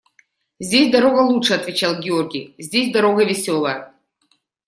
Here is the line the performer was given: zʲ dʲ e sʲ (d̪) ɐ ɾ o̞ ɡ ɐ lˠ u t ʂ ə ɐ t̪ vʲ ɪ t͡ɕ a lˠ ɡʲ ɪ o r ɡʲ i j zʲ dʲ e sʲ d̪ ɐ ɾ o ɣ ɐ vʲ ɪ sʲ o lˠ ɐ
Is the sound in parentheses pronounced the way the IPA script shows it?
yes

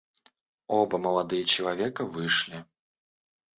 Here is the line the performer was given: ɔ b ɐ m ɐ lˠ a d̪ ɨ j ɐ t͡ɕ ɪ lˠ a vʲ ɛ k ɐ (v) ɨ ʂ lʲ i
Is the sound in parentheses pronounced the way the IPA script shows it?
yes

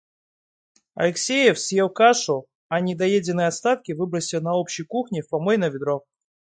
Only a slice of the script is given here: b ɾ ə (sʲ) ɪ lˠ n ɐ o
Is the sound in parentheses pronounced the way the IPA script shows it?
yes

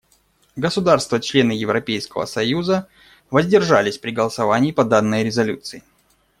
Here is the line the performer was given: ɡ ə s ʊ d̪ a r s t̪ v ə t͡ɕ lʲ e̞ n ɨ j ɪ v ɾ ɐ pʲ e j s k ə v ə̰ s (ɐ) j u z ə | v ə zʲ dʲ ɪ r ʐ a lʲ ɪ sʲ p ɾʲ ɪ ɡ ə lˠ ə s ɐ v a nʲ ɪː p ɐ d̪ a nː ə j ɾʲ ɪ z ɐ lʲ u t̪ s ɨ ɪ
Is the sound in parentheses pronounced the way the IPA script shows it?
yes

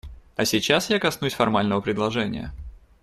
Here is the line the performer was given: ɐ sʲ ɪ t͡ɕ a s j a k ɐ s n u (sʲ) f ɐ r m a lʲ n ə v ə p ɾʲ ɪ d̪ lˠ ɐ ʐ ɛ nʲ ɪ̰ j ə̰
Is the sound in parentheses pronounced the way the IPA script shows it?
yes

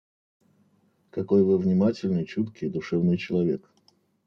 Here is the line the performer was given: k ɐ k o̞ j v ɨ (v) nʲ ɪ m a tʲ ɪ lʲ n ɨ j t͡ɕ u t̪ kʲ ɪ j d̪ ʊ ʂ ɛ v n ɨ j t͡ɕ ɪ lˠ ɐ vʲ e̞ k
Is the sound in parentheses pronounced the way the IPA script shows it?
yes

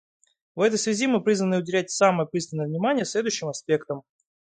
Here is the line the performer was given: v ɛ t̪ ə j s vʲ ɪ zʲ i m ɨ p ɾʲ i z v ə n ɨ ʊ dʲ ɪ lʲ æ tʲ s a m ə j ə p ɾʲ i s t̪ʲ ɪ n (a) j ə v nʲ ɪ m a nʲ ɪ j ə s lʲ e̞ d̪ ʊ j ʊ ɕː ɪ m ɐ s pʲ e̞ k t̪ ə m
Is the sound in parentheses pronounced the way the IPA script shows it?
no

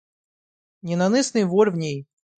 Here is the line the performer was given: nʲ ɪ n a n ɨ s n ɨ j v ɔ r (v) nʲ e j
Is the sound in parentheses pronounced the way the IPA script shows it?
yes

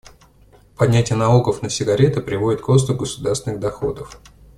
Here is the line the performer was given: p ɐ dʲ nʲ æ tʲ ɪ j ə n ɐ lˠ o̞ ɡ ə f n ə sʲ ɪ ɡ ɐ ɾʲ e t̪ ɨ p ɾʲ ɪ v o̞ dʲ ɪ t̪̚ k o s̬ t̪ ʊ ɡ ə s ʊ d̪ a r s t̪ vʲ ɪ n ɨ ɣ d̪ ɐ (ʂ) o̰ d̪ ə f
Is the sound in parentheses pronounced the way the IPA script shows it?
no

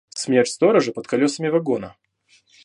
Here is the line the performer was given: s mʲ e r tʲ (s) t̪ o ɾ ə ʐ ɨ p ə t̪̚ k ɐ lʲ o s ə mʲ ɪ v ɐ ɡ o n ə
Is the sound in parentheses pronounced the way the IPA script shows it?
yes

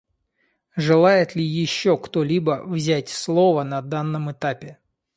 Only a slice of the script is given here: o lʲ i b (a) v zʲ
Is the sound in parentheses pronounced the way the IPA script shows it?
no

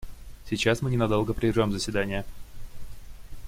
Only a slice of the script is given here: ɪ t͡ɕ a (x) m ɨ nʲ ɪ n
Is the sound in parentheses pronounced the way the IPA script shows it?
no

